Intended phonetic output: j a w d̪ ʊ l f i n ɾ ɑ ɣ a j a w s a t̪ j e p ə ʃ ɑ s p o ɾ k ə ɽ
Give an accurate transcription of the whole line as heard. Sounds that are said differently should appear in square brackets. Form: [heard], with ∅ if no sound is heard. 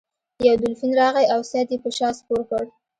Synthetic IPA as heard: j a w d̪ ʊ l f i n ɾ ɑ ɣ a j a w s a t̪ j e p ə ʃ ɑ s p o ɾ k ə ɽ